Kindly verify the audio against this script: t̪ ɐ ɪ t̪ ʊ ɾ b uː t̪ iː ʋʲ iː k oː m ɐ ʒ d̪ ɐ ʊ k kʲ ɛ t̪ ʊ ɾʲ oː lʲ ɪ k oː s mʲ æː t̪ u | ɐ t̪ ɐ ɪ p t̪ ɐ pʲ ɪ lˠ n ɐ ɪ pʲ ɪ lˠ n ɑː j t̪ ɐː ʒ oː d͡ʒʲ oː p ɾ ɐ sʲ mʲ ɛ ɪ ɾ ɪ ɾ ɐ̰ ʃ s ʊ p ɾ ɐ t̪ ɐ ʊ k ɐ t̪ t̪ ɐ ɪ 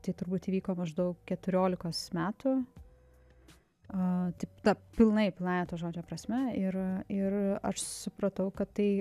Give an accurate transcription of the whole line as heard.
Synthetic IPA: t̪ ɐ ɪ t̪ ʊ ɾ b uː t̪ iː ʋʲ iː k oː m ɐ ʒ d̪ ɐ ʊ k kʲ ɛ t̪ ʊ ɾʲ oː lʲ ɪ k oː s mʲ æː t̪ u | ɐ t̪ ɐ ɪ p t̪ ɐ pʲ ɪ lˠ n ɐ ɪ pʲ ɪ lˠ n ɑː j t̪ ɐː ʒ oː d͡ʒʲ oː p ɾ ɐ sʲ mʲ ɛ ɪ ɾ ɪ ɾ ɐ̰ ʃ s ʊ p ɾ ɐ t̪ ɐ ʊ k ɐ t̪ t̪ ɐ ɪ